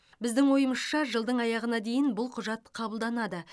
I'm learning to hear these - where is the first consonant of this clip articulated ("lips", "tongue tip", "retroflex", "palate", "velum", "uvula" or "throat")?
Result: lips